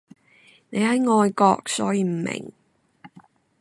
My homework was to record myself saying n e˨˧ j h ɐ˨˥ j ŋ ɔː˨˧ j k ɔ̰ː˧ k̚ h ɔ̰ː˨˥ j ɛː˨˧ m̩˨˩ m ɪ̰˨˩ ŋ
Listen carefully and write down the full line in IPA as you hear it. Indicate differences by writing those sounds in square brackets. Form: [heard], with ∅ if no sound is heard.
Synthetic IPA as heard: n e˨˧ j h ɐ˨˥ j ŋ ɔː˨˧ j k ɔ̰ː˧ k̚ [s] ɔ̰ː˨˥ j [iː˨˧] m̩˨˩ m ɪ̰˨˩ ŋ

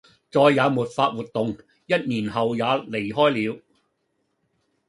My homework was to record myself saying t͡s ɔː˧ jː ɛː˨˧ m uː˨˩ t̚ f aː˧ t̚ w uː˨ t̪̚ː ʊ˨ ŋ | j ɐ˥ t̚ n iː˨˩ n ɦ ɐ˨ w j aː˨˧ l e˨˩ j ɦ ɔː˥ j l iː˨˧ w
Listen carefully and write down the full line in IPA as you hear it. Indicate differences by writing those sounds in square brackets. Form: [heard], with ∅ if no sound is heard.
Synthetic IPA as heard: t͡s ɔː˧ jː [aː˨˧] m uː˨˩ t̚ f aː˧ t̚ w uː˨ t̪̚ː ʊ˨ ŋ | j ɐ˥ t̚ n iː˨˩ n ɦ ɐ˨ w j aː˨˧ l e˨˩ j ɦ ɔː˥ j l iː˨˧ w

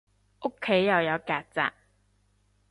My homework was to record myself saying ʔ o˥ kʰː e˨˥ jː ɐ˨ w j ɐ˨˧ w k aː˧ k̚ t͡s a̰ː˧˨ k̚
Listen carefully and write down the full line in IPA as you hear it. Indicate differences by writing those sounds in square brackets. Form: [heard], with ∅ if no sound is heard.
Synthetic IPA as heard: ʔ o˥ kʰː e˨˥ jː ɐ˨ w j ɐ˨˧ w k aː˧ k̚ t͡s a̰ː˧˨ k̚

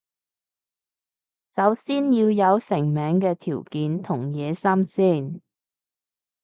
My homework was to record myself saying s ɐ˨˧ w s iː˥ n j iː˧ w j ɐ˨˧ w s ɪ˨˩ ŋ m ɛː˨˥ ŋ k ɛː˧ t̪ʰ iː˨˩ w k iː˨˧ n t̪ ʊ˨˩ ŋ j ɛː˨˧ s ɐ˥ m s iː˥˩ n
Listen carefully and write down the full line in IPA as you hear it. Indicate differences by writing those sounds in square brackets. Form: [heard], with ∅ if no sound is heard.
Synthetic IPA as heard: s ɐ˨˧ w s iː˥ n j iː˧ w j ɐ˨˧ w s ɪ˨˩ ŋ m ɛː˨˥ ŋ k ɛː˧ t̪ʰ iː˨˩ w k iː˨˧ n [t̪ʰ] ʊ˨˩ ŋ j ɛː˨˧ s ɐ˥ m s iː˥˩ n

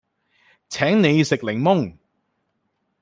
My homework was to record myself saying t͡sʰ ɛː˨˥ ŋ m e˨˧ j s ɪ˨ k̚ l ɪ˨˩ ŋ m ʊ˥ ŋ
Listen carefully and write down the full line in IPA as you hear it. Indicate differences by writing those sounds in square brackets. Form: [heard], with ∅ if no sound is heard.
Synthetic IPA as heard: t͡sʰ ɛː˨˥ ŋ [n] e˨˧ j s ɪ˨ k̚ l ɪ˨˩ ŋ m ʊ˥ ŋ

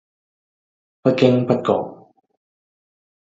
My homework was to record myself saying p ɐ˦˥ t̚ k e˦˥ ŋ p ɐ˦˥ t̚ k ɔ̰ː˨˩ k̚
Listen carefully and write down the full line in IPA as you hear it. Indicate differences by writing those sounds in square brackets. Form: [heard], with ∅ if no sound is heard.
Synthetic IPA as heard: p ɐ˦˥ t̚ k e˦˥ ŋ p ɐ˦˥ t̚ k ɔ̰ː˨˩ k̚

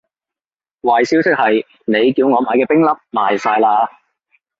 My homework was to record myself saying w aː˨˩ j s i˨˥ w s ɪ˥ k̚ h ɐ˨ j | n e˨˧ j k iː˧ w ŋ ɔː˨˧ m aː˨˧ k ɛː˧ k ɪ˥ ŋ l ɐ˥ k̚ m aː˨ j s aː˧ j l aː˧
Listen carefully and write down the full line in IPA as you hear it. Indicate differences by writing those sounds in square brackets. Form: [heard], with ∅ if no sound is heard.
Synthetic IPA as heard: w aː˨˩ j s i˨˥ w s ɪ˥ k̚ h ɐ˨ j | n e˨˧ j k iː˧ w ŋ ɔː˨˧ m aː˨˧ k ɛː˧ [p] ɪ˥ ŋ l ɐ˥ [p̚] m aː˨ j s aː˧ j l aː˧

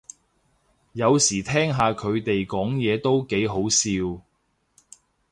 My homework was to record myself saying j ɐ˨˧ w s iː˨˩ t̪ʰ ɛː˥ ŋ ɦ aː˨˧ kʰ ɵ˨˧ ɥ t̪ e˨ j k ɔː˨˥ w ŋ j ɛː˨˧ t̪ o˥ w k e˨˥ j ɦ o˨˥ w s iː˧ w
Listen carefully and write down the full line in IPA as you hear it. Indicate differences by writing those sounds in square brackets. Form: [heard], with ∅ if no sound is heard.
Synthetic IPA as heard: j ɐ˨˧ w s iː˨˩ t̪ʰ ɛː˥ ŋ ɦ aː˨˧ kʰ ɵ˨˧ ɥ t̪ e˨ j k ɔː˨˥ [∅] ŋ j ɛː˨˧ t̪ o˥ w k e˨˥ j ɦ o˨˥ w s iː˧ w

